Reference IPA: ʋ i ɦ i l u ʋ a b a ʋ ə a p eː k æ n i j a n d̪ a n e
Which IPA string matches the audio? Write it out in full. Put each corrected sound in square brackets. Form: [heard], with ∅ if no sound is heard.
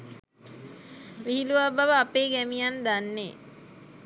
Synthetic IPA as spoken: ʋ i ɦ i l u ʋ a b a ʋ ə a p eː [ɡ] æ [m] i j a n d̪ a [nː] e